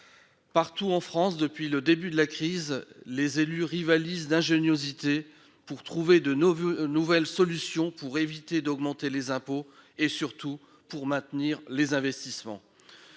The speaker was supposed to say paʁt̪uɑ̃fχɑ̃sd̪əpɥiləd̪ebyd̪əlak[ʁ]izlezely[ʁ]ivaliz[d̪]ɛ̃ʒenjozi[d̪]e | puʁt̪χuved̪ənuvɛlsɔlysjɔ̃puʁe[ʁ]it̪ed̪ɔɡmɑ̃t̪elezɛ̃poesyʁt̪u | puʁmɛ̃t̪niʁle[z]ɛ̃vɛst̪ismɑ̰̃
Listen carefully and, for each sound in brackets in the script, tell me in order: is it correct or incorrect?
incorrect: χ, correct, correct, incorrect: t̪, incorrect: v, correct

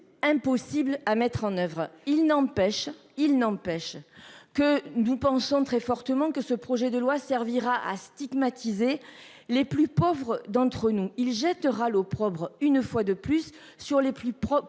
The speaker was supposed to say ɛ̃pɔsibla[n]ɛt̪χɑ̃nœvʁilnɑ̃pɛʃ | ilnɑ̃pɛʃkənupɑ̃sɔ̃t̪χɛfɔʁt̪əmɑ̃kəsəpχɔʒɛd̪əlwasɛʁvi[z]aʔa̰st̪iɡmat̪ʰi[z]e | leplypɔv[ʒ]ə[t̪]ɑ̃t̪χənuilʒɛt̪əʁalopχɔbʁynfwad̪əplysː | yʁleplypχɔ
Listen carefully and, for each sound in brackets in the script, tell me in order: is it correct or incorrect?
incorrect: m, incorrect: ʁ, correct, incorrect: ʁ, incorrect: d̪

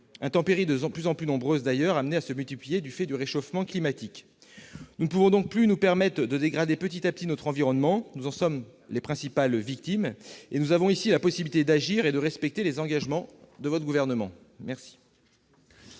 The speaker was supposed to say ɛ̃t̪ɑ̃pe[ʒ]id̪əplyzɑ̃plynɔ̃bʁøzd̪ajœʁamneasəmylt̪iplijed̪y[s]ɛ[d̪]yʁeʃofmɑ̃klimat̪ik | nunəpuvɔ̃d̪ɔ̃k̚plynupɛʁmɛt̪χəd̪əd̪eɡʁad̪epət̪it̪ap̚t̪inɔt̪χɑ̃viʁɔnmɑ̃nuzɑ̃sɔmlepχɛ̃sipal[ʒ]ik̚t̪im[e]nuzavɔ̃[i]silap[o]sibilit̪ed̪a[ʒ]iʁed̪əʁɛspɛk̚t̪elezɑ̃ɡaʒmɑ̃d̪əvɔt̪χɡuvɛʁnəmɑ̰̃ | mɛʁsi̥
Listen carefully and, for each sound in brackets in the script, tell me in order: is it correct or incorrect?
incorrect: ʁ, incorrect: f, correct, incorrect: v, correct, correct, incorrect: ɔ, correct

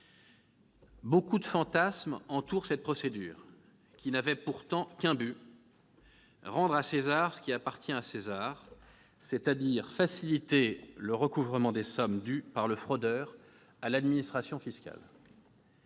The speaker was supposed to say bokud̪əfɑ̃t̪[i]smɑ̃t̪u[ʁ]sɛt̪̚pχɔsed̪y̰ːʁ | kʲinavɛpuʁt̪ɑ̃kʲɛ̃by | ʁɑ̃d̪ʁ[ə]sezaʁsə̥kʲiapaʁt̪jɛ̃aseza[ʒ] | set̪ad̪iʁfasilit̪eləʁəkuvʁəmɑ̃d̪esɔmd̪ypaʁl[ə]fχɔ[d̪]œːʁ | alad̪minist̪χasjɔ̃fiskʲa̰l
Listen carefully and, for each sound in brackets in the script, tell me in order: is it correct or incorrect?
incorrect: a, correct, incorrect: a, incorrect: ʁ, correct, correct

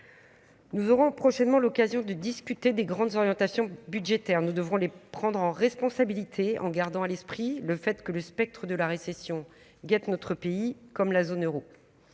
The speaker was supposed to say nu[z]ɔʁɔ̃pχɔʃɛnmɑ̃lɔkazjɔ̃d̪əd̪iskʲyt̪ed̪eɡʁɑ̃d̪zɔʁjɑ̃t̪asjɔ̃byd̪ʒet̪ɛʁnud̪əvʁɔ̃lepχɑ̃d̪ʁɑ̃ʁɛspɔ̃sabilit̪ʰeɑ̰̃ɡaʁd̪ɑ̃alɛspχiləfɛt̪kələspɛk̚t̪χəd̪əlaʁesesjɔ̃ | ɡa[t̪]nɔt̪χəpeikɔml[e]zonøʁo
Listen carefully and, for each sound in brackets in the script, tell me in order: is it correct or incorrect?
correct, correct, incorrect: a

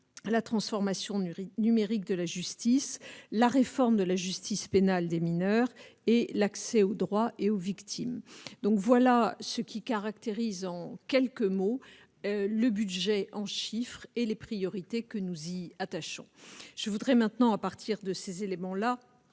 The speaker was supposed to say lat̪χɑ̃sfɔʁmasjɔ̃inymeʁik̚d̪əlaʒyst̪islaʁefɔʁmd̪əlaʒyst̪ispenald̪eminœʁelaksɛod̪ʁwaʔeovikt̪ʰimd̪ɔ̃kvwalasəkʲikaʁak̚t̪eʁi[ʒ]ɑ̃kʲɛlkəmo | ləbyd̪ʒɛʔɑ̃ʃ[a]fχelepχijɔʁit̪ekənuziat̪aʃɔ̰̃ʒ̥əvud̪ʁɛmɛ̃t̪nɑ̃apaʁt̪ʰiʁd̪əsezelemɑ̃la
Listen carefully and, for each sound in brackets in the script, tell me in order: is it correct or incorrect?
incorrect: z, incorrect: i

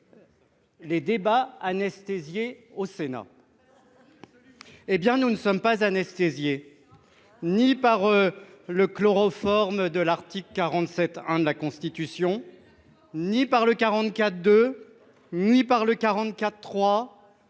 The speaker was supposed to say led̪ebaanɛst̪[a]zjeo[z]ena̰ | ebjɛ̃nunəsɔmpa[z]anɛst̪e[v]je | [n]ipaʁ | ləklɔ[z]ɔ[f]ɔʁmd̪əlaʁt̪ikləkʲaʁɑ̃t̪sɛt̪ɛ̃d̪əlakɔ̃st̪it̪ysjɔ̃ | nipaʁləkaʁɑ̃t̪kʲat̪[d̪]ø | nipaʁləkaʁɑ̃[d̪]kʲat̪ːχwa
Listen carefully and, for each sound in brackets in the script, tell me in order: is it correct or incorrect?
incorrect: e, incorrect: s, correct, incorrect: z, correct, incorrect: ʁ, correct, correct, incorrect: t̪

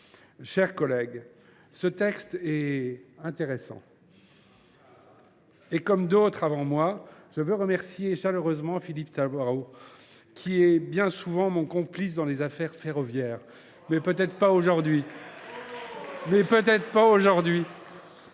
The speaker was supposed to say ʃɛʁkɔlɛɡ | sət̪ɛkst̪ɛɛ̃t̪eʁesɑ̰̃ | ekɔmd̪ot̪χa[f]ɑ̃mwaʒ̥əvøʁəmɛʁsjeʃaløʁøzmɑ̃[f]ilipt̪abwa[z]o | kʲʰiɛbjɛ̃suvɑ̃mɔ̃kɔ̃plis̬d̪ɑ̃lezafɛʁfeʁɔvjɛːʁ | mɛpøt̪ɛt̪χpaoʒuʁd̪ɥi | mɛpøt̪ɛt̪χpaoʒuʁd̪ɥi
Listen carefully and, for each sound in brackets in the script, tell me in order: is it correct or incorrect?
incorrect: v, correct, incorrect: ʁ

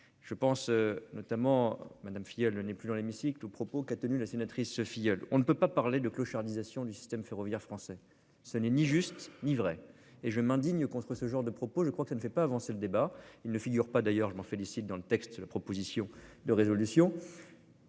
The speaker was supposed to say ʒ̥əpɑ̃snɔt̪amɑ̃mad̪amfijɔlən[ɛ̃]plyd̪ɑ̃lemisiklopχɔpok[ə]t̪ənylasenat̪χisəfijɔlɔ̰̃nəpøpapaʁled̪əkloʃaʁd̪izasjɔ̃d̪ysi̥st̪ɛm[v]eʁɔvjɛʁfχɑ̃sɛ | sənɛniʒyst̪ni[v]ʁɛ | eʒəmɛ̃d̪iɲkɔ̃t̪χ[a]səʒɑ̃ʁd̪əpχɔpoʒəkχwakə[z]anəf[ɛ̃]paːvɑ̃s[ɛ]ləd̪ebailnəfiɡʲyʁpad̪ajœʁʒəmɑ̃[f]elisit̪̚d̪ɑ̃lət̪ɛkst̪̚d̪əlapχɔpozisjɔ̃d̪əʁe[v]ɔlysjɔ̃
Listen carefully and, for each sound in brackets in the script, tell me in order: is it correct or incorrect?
incorrect: ɛ, incorrect: a, incorrect: f, correct, incorrect: ə, incorrect: s, incorrect: ɛ, incorrect: e, correct, incorrect: z

